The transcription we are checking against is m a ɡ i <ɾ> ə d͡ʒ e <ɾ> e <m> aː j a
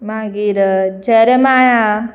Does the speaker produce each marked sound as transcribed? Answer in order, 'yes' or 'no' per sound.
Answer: yes, yes, yes

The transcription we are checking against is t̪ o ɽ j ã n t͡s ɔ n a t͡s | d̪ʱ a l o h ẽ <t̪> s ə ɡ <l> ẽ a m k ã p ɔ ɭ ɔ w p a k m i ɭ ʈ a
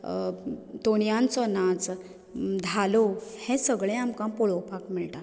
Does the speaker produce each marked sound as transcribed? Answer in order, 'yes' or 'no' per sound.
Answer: no, no

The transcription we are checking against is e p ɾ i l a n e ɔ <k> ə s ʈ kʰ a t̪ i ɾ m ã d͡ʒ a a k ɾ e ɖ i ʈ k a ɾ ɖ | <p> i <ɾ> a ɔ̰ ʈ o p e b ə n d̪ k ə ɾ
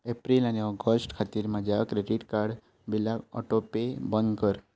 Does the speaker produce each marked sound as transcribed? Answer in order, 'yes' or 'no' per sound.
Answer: no, no, no

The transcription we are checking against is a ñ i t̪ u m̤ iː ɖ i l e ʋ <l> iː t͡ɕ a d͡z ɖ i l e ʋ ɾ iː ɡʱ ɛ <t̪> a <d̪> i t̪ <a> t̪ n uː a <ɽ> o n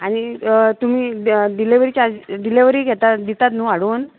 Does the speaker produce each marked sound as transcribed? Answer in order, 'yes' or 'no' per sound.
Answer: no, yes, yes, yes, yes

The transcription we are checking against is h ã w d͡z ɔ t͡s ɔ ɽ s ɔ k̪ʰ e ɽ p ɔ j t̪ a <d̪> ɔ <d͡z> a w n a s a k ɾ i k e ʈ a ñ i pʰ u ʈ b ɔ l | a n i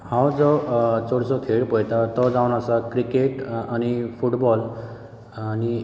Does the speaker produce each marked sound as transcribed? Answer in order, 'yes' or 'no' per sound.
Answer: no, yes

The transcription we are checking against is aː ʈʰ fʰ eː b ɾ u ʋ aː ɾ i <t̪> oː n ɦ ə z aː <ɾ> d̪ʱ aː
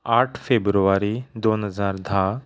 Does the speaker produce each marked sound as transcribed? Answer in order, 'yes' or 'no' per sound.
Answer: no, yes

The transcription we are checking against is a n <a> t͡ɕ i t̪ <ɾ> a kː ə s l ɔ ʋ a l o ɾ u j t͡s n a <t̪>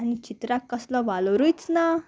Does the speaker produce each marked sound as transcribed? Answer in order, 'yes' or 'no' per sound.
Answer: no, yes, no

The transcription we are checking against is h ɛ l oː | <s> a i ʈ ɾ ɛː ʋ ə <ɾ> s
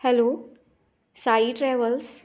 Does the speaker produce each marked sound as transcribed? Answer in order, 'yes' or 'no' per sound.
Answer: yes, no

